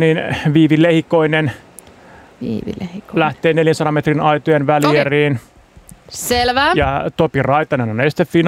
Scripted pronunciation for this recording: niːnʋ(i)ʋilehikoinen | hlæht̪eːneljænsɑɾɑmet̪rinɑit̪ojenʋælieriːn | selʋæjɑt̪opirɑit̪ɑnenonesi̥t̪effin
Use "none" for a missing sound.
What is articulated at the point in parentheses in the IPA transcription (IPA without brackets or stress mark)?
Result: iː